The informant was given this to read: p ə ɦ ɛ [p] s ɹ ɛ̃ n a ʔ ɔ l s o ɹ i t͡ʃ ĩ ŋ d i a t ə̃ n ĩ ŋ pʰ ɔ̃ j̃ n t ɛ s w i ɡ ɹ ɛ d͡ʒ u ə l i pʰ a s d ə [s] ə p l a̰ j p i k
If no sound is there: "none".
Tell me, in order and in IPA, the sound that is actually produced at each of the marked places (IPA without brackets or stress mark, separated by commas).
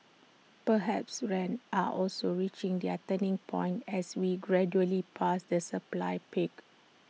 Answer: p, s